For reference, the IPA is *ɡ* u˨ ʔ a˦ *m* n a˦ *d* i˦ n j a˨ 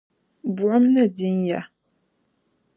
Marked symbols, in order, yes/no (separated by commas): no, yes, yes